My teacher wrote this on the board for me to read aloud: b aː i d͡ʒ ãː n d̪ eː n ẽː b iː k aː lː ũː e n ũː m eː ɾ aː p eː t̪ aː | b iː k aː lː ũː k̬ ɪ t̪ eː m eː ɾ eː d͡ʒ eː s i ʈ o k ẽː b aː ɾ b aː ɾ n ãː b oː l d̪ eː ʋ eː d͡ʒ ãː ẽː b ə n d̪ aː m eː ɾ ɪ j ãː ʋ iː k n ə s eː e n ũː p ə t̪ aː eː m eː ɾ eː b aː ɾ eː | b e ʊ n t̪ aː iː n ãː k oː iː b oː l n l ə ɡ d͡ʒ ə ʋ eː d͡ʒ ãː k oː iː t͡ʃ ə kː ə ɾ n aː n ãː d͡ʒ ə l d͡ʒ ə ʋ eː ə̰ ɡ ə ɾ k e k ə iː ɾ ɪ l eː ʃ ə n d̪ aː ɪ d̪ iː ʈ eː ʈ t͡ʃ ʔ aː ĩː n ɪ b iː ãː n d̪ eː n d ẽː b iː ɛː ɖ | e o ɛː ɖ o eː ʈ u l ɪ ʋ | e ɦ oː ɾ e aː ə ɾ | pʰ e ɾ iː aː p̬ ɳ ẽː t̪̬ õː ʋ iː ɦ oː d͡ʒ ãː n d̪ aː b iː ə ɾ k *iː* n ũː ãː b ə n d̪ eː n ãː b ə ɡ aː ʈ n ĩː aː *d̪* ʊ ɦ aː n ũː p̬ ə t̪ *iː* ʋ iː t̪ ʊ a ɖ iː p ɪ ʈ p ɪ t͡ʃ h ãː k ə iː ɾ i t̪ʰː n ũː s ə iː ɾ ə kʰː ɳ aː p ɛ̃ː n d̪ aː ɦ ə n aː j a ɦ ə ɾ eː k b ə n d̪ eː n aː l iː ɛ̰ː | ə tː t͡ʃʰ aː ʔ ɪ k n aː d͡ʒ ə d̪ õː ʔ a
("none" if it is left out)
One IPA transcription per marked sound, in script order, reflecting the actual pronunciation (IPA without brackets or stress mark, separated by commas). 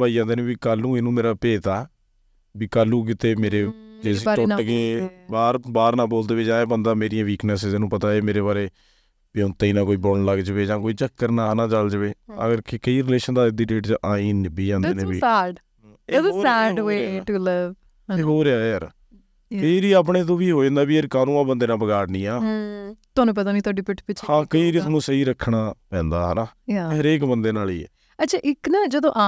aː, t̪, aː